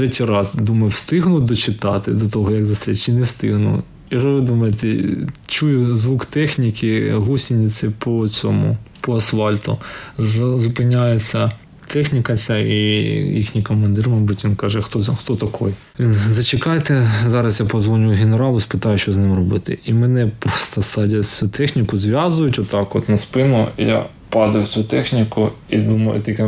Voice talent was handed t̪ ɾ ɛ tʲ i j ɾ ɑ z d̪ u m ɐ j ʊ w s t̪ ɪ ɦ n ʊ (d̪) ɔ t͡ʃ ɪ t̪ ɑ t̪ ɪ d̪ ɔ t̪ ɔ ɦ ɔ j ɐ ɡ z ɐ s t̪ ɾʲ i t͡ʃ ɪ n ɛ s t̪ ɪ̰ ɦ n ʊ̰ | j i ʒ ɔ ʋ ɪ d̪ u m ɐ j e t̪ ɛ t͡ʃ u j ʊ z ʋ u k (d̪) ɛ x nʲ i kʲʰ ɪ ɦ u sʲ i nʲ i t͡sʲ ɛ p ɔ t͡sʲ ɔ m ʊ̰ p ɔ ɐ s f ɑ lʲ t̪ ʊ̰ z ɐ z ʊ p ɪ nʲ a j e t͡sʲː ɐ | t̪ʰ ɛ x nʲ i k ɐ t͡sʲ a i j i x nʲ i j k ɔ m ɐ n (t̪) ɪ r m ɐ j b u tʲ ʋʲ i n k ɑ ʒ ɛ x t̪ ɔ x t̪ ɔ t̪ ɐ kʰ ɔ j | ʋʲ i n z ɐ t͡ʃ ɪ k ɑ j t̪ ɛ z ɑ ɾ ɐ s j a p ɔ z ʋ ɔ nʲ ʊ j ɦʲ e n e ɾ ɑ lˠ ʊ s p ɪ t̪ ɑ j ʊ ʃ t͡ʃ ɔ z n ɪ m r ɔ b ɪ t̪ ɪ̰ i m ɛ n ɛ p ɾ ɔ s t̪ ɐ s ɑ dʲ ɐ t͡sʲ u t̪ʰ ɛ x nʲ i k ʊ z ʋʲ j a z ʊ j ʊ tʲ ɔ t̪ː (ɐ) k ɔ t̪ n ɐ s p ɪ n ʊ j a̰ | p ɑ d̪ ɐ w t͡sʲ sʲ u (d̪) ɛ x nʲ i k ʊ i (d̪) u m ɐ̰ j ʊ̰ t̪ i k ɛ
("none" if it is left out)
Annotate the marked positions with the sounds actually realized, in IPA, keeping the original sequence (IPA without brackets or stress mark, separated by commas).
d̪, t̪, d̪, ɑ, t̪, d̪